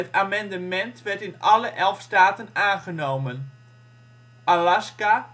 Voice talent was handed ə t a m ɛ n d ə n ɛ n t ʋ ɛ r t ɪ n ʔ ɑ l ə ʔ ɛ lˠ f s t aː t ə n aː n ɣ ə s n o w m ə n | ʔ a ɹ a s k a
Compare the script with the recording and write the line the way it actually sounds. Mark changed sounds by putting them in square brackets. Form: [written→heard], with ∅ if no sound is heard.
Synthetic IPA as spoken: ə t a m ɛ n d ə [n→m] ɛ n t ʋ ɛ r t ɪ n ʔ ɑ l ə ʔ ɛ lˠ f s t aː t ə n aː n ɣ ə [s→∅] n o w m ə n | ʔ a [ɹ→l] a s k a